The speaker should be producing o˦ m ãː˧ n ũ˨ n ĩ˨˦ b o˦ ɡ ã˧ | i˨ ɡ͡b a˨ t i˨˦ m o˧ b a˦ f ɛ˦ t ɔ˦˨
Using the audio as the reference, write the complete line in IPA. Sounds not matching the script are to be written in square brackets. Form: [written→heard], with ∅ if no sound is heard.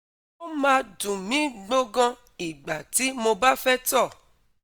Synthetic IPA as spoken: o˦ m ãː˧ [n→d] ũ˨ [n→m] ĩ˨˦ [b→ɡ͡b] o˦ ɡ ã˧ | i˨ ɡ͡b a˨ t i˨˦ m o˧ b a˦ f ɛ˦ t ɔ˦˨